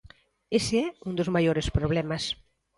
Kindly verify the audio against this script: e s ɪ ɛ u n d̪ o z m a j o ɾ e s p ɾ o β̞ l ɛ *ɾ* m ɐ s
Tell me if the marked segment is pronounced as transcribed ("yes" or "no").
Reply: no